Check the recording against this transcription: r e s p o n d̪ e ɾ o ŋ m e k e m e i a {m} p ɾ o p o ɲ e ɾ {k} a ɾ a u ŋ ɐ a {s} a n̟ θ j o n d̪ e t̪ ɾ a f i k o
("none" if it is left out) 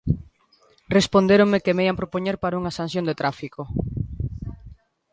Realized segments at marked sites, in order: m, p, s

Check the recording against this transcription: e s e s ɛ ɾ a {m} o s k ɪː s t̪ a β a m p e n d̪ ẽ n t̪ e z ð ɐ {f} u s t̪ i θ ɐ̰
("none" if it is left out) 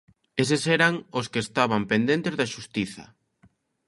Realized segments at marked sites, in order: ŋ, ʃ

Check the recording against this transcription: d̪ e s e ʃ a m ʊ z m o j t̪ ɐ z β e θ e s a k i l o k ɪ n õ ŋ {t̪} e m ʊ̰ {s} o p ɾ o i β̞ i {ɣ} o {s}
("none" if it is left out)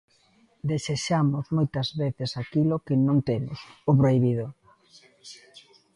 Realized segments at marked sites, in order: t̪, s, ð, none

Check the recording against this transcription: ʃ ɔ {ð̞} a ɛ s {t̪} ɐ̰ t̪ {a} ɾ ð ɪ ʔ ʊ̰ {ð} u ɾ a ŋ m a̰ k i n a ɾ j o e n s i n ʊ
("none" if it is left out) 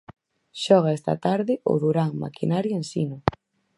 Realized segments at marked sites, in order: ɣ̞, t̪, a, ð

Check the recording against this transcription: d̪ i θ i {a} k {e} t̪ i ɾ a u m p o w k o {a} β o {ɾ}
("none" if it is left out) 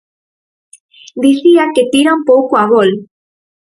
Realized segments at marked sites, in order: a, e, a, l

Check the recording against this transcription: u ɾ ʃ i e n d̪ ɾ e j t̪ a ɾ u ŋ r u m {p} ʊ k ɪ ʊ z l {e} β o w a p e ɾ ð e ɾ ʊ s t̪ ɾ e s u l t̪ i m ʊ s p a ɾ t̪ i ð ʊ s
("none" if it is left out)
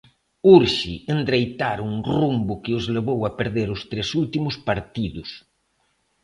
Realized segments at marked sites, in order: b, e

